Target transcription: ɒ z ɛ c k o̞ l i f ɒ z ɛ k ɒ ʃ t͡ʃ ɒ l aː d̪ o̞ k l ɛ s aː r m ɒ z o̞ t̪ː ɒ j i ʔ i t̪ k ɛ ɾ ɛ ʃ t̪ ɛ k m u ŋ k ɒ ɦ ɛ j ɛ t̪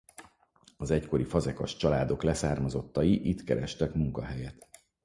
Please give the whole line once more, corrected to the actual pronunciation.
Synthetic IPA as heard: ɒ z ɛ c k o̞ ɾ i f ɒ z ɛ k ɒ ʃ t͡ʃ ɒ l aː d̪ o̞ k l ɛ s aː r m ɒ z o̞ t̪ː ɒ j i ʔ i t̪ k ɛ ɾ ɛ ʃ t̪ ɛ k m u ŋ k ɒ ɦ ɛ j ɛ t̪